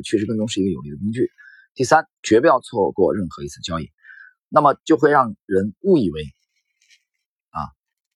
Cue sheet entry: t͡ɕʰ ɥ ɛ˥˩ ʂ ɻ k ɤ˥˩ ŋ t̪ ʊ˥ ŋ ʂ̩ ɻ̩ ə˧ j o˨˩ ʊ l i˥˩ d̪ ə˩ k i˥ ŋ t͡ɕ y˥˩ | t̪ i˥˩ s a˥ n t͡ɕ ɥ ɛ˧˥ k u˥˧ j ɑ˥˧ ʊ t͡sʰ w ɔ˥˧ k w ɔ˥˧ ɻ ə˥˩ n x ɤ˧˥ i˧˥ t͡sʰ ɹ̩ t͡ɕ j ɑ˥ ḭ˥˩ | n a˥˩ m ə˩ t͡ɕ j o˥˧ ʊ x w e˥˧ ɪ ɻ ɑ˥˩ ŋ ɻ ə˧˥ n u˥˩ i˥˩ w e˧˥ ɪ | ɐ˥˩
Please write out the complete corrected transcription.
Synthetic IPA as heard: t͡ɕʰ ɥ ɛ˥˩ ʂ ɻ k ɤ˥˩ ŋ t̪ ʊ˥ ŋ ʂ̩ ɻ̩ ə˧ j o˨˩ ʊ l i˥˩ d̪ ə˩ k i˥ ŋ t͡ɕ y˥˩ | t̪ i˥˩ s a˥ n t͡ɕ ɥ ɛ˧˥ p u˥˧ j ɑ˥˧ ʊ t͡sʰ w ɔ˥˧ k w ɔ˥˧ ɻ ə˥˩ n x ɤ˧˥ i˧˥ t͡sʰ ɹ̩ t͡ɕ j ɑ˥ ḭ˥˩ | n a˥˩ m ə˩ t͡ɕ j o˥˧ ʊ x w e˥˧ ɪ ɻ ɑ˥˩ ŋ ɻ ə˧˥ n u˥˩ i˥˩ w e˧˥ ɪ | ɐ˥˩